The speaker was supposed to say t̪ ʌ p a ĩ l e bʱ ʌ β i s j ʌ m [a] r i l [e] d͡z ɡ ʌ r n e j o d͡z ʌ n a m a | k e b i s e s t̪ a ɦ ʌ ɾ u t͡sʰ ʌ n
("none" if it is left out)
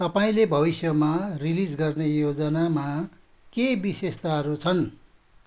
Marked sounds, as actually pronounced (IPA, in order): a, i

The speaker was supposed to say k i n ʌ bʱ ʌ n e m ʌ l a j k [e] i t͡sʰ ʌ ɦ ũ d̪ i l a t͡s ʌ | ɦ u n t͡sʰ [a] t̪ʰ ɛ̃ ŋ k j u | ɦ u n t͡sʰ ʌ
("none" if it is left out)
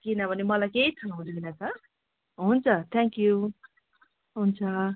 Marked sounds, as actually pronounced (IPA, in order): e, ʌ

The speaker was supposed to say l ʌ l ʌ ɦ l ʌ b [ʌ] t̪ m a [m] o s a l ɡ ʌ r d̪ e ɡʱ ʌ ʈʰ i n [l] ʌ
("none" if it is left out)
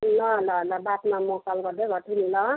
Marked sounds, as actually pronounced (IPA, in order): a, m, l

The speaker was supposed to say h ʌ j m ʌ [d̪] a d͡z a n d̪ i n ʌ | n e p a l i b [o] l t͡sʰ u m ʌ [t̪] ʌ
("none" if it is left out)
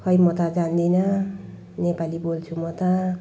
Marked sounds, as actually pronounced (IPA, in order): t̪, o, t̪

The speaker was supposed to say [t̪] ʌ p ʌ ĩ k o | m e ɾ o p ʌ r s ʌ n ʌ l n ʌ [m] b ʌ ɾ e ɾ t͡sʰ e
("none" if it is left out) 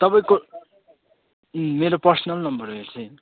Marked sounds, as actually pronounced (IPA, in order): t̪, m

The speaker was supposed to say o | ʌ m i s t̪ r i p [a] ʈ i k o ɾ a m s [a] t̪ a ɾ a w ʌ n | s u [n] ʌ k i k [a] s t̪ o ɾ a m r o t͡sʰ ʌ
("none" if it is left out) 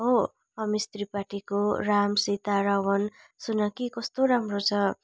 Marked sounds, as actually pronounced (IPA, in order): a, i, n, ʌ

